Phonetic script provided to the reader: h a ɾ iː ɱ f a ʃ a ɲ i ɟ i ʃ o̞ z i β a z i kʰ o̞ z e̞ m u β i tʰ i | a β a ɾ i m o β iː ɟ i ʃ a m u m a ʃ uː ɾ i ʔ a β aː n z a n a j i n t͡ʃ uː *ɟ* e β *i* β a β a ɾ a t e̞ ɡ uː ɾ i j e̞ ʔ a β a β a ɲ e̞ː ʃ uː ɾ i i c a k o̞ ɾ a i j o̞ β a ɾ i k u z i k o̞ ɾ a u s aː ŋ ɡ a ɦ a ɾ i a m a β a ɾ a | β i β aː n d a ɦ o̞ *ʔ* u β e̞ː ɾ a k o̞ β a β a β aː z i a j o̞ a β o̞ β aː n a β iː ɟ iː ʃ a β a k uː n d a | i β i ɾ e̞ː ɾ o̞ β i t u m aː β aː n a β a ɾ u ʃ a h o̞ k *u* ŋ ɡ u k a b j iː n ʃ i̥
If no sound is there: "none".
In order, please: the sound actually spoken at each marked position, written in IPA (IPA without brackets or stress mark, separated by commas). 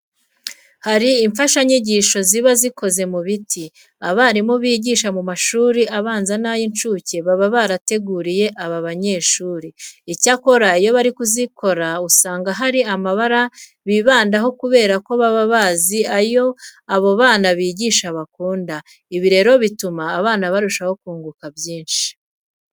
c, a, k, uː